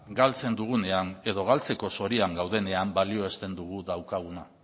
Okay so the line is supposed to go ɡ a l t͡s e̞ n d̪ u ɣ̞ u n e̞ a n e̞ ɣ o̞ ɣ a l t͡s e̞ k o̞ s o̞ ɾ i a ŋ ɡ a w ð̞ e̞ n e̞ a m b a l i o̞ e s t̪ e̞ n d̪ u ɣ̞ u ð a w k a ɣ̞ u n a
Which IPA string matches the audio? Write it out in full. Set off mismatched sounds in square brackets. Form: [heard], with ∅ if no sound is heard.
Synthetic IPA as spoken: ɡ a l t͡s e̞ n d̪ u ɣ̞ u n e̞ a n e̞ [ð] o̞ ɣ a l t͡s e̞ k o̞ s o̞ ɾ i a ŋ ɡ a w ð̞ e̞ n e̞ a m b a l i o̞ e s t̪ e̞ n d̪ u ɣ̞ u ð a w k a ɣ̞ u n a